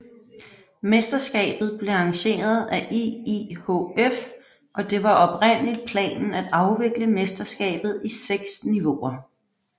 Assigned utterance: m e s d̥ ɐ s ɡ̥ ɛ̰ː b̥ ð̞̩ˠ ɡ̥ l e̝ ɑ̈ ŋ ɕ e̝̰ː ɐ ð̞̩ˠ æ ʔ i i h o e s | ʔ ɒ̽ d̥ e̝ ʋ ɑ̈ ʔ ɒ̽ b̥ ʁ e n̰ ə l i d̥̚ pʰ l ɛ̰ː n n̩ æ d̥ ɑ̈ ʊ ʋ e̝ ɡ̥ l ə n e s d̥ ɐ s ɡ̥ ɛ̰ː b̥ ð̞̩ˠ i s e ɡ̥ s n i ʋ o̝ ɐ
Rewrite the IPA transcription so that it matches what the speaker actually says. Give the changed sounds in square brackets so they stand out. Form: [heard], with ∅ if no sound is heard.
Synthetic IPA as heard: m e s d̥ ɐ s ɡ̥ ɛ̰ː b̥ ð̞̩ˠ [b̥] l e̝ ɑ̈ ŋ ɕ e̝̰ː ɐ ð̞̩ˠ æ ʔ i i h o e [f] | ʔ ɒ̽ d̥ e̝ ʋ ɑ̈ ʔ ɒ̽ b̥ ʁ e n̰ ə l i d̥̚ pʰ l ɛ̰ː n n̩ æ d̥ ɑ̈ ʊ ʋ e̝ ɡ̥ l ə [m] e s d̥ ɐ s ɡ̥ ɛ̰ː b̥ ð̞̩ˠ i s e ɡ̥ s n i ʋ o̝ ɐ